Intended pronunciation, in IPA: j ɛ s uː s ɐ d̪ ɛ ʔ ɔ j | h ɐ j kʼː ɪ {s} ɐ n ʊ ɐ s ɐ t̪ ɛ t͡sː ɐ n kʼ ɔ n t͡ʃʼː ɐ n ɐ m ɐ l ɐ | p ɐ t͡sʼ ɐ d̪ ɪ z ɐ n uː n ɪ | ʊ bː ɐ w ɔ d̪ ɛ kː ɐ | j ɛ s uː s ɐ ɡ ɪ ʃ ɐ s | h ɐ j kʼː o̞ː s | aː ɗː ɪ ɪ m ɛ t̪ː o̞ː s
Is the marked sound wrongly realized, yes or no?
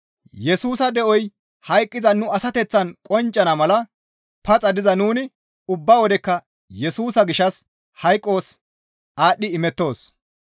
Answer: yes